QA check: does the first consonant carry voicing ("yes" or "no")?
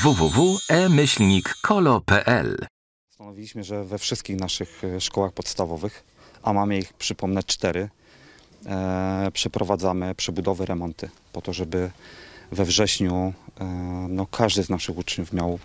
yes